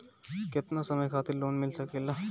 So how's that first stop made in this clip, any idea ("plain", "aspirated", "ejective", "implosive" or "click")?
plain